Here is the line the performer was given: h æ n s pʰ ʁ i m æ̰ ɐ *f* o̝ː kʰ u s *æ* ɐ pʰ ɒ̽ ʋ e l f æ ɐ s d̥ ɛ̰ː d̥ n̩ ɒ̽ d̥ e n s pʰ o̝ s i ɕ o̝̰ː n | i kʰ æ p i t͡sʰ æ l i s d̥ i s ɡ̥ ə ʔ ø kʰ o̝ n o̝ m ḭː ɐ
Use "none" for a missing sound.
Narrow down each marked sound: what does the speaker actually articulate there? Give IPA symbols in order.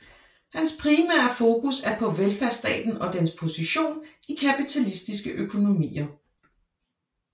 f, æ

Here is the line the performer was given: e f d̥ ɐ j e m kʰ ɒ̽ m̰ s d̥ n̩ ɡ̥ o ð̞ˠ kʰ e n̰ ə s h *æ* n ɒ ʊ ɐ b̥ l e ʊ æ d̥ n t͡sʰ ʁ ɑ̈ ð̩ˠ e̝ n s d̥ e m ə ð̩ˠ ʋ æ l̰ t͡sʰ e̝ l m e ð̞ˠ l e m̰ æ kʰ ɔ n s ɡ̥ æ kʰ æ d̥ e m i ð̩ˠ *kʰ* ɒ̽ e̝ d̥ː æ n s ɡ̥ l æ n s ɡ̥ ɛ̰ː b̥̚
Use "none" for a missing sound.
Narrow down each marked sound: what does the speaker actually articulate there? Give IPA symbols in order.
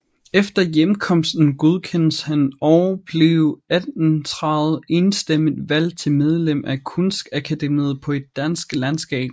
æ, pʰ

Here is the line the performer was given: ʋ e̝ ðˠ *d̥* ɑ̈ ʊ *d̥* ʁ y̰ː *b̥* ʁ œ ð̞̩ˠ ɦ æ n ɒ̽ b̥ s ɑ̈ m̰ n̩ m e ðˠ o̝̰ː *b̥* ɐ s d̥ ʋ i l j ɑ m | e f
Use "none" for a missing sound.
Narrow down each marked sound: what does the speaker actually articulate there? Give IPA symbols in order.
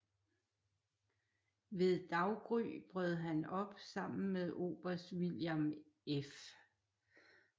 d̥, ɡ̥, b̥, b̥

